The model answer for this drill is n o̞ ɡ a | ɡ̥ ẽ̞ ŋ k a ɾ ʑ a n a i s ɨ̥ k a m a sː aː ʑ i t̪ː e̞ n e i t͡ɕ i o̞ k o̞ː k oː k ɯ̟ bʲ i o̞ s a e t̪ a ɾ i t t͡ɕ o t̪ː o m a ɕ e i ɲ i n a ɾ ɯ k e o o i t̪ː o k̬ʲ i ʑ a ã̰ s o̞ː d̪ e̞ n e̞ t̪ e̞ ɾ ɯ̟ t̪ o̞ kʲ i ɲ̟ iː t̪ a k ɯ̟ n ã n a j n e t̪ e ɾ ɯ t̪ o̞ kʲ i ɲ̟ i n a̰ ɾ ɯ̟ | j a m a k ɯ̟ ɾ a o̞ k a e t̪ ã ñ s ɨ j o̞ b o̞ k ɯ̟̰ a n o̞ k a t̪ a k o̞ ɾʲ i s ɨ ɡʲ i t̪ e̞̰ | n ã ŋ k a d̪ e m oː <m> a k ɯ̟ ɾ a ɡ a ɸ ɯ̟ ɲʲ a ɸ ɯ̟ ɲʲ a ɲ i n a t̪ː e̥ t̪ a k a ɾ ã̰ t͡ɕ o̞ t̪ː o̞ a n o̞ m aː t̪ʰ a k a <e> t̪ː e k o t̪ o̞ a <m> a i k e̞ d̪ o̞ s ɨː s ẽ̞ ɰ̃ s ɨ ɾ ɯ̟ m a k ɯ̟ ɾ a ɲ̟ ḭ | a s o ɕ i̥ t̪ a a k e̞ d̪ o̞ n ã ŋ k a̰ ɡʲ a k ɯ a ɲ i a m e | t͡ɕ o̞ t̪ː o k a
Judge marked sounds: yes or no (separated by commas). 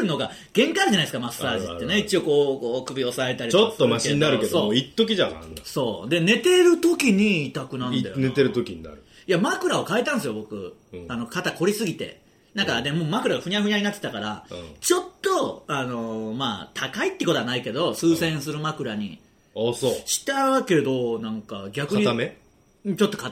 yes, no, no